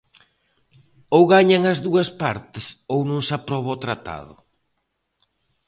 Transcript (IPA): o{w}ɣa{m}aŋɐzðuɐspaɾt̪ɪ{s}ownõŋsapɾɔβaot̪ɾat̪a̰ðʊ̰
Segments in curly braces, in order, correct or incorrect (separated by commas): correct, incorrect, correct